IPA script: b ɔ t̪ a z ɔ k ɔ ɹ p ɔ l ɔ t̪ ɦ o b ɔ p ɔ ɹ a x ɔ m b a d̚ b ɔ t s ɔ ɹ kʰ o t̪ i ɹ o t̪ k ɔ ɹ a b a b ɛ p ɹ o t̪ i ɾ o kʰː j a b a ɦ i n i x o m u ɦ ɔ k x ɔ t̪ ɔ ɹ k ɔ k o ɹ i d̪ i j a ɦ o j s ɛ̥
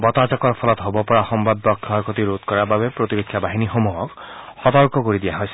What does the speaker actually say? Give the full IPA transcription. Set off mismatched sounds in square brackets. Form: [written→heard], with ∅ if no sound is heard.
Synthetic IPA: b ɔ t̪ a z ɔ k ɔ ɹ [p→pʰ] ɔ l ɔ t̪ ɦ o b ɔ p ɔ ɹ a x ɔ m b a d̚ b ɔ [t→k] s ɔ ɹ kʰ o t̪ i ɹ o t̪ k ɔ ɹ a b a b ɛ p ɹ o t̪ i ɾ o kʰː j a b a ɦ i n i x o m u ɦ ɔ k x ɔ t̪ ɔ ɹ k ɔ k o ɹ i d̪ i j a ɦ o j s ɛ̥